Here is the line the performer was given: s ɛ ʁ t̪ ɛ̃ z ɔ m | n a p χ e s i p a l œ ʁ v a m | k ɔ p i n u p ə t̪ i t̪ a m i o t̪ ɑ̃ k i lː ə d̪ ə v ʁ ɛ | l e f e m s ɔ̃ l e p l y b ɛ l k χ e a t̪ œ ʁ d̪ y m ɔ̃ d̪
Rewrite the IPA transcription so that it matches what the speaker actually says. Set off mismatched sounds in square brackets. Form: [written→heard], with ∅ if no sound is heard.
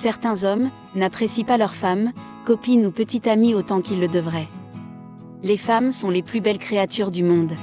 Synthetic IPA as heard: s ɛ ʁ t̪ ɛ̃ z ɔ m | n a p χ e s i p a l œ ʁ [v→f] a m | k ɔ p i n u p ə t̪ i t̪ a m i o t̪ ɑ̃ k i lː ə d̪ ə v ʁ ɛ | l e f [e→a] m s ɔ̃ l e p l y b ɛ l k χ e a t̪ [œ→y] ʁ d̪ y m ɔ̃ d̪

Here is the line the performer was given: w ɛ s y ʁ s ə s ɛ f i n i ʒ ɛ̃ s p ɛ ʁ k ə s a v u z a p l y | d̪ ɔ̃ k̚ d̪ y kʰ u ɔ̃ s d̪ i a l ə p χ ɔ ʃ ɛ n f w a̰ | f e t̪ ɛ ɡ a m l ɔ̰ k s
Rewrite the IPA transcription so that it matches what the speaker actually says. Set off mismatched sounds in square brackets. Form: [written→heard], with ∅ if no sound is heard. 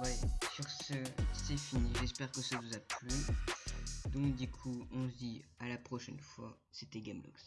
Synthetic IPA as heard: w ɛ s y ʁ s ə s ɛ f i n i ʒ [ɛ̃→ɛ] s p ɛ ʁ k ə s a v u z a p l y | d̪ ɔ̃ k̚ d̪ y kʰ u ɔ̃ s d̪ i a l [ə→a] p χ ɔ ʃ ɛ n f w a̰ | [f→s] e t̪ ɛ ɡ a m l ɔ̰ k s

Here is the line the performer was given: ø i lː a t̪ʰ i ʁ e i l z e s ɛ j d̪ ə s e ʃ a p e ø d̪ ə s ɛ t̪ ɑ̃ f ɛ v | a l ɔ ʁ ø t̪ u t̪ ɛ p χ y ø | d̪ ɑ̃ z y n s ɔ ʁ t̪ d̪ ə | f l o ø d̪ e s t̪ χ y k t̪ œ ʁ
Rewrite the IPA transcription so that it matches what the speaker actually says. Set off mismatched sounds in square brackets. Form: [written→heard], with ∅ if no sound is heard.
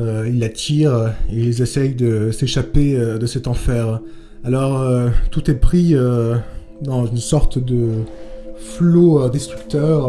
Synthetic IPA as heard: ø i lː a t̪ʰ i ʁ e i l z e s ɛ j d̪ ə s e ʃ a p e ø d̪ ə s ɛ t̪ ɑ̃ f ɛ [v→ʁ] | a l ɔ ʁ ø t̪ u t̪ ɛ p χ [y→i] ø | d̪ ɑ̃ z y n s ɔ ʁ t̪ d̪ ə | f l o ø d̪ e s t̪ χ y k t̪ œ ʁ

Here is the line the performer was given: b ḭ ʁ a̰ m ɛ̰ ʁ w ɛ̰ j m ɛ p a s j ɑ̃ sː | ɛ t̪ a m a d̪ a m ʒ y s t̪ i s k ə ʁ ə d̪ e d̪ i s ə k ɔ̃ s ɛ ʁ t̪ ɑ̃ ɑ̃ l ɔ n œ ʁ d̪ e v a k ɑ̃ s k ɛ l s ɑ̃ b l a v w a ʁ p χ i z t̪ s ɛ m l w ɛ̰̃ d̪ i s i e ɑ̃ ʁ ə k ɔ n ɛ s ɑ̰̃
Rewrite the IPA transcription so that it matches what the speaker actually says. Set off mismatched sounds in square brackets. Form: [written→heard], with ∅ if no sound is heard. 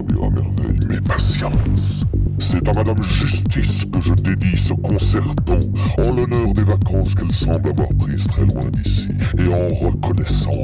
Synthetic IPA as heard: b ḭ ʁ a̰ m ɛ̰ ʁ [w→v] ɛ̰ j m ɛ p a s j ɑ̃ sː | ɛ t̪ a m a d̪ a m ʒ y s t̪ i s k ə [ʁ→ʒ] ə d̪ e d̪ i s ə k ɔ̃ s ɛ ʁ t̪ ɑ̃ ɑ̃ l ɔ n œ ʁ d̪ e v a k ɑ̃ s k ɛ l s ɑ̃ b l a v w a ʁ p χ i z t̪ [s→χ] ɛ [m→∅] l w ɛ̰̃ d̪ i s i e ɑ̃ ʁ ə k ɔ n ɛ s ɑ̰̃

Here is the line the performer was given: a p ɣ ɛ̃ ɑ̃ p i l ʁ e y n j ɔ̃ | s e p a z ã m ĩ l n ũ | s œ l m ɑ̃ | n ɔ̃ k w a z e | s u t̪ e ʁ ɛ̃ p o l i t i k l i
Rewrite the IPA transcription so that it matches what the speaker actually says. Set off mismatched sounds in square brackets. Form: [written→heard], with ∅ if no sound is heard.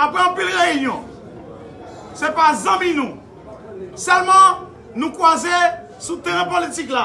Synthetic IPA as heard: a p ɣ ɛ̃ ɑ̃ p i l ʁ e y n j ɔ̃ | s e p a z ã m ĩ [l→∅] n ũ | s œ l m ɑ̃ | n [ɔ̃→ũ] k w a z e | s u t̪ e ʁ ɛ̃ p o l i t i k l [i→a]

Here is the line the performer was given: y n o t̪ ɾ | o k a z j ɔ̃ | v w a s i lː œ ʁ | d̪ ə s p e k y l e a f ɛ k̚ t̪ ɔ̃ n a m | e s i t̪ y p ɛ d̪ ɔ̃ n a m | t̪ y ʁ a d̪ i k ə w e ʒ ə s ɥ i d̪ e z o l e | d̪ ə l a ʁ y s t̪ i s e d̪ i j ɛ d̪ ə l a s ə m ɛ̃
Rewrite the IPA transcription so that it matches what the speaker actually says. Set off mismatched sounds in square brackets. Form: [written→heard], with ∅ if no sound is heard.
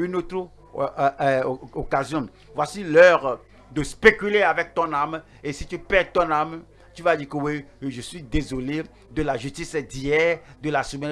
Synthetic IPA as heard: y n o t̪ ɾ | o k a z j ɔ̃ | v w a s i [lː→l] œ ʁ | d̪ ə s p e k y l e a [f→v] ɛ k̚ t̪ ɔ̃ n a m | e s i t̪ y p ɛ [d̪→t̪] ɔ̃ n a m | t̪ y [ʁ→v] a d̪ i k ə w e ʒ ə s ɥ i d̪ e z o l e | d̪ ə l a [ʁ→ʒ] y s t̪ i s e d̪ i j ɛ d̪ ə l a s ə m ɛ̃

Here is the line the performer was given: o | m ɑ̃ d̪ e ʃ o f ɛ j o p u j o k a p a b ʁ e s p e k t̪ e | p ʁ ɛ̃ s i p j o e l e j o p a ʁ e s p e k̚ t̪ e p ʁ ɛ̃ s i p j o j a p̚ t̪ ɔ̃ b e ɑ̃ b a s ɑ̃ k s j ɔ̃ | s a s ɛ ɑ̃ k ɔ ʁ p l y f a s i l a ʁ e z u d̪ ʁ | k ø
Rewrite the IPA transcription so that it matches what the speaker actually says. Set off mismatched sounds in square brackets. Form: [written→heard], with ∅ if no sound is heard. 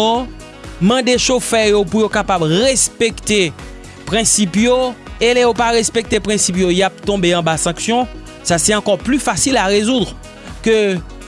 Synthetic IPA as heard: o | m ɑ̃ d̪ e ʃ o f ɛ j o p u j o k a p a b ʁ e s p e k t̪ e | p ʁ ɛ̃ s i p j o e l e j o p a ʁ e s p e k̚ t̪ e p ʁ ɛ̃ s i p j o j a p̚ t̪ ɔ̃ b e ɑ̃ b a s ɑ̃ k s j ɔ̃ | s a s ɛ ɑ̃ k ɔ ʁ p l y f a s i l a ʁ e z u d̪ ʁ | k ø

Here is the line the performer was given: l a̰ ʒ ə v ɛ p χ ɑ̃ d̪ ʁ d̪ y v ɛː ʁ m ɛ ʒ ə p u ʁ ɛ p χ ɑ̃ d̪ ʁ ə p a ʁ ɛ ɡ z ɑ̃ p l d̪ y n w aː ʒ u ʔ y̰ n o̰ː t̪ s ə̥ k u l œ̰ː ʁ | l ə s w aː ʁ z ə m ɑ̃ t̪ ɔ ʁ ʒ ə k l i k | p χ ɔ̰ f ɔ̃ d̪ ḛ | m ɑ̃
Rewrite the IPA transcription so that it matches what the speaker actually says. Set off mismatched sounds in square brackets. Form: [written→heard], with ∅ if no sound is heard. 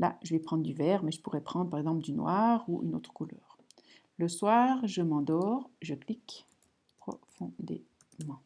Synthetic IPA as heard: l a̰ ʒ ə v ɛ p χ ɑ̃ d̪ ʁ d̪ y v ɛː ʁ m ɛ ʒ ə p u ʁ ɛ p χ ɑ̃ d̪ ʁ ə p a ʁ ɛ ɡ z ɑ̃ p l d̪ y n w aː [ʒ→ʁ] u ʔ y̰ n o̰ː t̪ [s→χ] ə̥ k u l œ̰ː ʁ | l ə s w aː ʁ [z→ʒ] ə m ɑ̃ [t̪→d̪] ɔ ʁ ʒ ə k l i k | p χ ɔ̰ f ɔ̃ d̪ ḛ | m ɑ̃

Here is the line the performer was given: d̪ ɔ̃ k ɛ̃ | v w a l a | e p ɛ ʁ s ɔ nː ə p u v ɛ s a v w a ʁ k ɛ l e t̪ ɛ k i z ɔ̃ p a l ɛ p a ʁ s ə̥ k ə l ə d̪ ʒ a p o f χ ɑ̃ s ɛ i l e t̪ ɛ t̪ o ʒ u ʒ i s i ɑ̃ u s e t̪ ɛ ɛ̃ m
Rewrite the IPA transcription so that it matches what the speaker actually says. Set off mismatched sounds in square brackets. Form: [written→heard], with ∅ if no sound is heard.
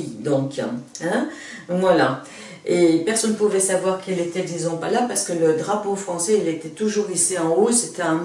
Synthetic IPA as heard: d̪ ɔ̃ k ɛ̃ | v w a l a | e p ɛ ʁ s ɔ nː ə p u v ɛ s a v w a ʁ k ɛ l e t̪ ɛ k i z ɔ̃ p a l [ɛ→a] p a ʁ s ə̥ k ə l ə d̪ [ʒ→ʁ] a p o f χ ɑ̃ s ɛ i l e t̪ ɛ t̪ [o→u] ʒ u [ʒ→ʁ] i s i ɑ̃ [u→o] s e t̪ ɛ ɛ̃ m

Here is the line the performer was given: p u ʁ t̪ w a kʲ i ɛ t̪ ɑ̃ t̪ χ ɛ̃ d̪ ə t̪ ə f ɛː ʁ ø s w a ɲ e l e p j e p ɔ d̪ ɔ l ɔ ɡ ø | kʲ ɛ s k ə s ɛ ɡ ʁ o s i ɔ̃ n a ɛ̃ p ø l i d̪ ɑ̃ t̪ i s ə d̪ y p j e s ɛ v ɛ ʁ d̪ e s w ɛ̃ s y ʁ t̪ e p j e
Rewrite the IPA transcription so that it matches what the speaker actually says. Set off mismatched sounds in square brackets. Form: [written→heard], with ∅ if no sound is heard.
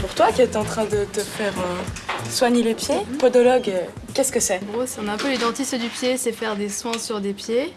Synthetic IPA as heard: p u ʁ t̪ w a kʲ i ɛ t̪ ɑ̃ t̪ χ ɛ̃ d̪ ə t̪ ə f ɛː ʁ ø s w a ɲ e l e p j e p ɔ d̪ ɔ l ɔ ɡ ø | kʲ ɛ s k ə s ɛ ɡ ʁ o s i ɔ̃ n a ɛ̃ p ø l i d̪ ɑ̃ t̪ i s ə d̪ y p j e s ɛ [v→f] ɛ ʁ d̪ e s w ɛ̃ s y ʁ [t̪→d̪] e p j e

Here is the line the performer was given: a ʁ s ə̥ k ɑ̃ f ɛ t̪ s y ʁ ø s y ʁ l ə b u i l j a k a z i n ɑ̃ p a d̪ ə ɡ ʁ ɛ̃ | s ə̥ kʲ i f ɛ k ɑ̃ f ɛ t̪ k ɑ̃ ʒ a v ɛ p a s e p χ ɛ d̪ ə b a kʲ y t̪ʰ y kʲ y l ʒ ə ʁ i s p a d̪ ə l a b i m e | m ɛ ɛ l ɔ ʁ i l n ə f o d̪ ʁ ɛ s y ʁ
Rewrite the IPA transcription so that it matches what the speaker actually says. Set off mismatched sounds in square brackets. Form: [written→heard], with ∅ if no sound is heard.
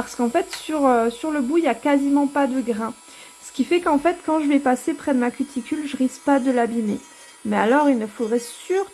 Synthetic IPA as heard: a ʁ s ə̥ k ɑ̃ f ɛ t̪ s y ʁ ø s y ʁ l ə b u i l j a k a z i [n→m] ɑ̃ p a d̪ ə ɡ ʁ ɛ̃ | s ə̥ kʲ i f ɛ k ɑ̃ f ɛ t̪ k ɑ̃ ʒ [a→ə] v ɛ p a s e p χ ɛ d̪ ə [b→m] a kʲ y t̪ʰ [y→i] kʲ y l ʒ ə ʁ i s p a d̪ ə l a b i m e | m ɛ [ɛ→a] l ɔ ʁ i l n ə f o d̪ ʁ ɛ s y ʁ

